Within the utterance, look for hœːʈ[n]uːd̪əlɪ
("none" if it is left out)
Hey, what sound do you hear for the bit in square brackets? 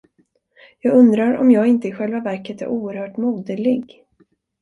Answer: m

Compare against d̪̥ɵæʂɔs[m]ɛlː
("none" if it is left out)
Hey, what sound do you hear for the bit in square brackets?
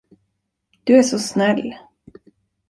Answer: n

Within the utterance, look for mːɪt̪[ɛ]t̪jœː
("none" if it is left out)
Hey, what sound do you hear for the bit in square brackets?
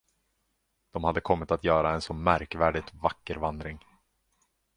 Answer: a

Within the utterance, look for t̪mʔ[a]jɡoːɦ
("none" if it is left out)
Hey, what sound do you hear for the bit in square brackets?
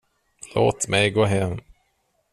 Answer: ɛ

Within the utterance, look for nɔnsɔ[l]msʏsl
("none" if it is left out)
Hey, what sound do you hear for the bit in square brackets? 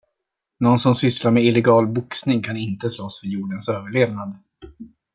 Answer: none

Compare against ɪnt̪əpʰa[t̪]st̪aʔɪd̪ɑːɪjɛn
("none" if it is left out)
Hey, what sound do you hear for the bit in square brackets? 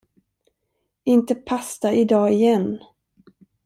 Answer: none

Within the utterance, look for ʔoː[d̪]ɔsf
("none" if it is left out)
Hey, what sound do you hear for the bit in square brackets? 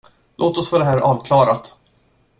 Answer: t̪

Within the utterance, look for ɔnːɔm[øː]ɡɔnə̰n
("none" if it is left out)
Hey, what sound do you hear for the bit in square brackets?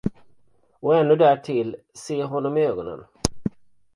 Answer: øː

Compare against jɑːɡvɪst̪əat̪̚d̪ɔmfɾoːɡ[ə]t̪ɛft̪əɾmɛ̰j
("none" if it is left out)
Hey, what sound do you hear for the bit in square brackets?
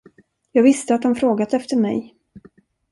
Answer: a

